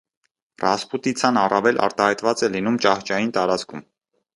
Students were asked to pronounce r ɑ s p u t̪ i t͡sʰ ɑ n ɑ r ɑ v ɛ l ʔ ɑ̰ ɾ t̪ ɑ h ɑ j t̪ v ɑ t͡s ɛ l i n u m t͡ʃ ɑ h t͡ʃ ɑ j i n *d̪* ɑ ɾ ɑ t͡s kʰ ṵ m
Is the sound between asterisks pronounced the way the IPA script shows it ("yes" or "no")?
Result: no